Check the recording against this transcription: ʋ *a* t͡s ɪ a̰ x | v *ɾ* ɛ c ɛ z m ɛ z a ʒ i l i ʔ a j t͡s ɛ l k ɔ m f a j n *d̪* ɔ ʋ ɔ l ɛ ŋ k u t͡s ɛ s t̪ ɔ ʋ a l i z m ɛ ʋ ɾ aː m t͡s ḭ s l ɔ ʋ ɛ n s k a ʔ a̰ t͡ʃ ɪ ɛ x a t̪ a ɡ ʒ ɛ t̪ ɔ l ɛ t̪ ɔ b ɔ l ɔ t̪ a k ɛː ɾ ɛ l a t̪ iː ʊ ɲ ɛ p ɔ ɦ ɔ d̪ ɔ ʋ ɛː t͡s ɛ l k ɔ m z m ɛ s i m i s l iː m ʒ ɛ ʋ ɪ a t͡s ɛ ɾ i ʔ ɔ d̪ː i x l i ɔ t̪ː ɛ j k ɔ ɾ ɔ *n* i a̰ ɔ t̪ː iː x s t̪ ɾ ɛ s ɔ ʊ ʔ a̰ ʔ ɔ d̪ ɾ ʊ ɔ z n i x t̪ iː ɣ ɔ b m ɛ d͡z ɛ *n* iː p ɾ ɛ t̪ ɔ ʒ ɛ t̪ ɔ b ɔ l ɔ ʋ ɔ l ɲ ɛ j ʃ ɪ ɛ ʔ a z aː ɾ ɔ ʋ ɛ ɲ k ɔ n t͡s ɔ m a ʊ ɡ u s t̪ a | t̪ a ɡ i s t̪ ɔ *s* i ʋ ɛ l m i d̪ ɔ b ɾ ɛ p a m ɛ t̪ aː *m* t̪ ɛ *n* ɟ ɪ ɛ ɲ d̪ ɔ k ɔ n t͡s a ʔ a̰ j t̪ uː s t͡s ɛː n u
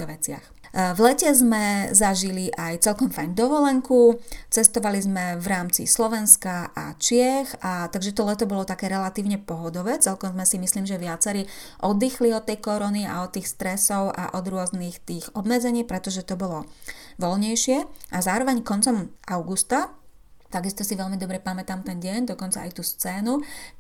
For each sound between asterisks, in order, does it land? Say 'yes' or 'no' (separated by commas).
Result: no, no, yes, yes, no, yes, yes, yes